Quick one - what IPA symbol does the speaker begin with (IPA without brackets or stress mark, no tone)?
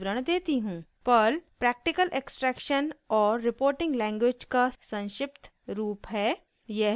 ɾ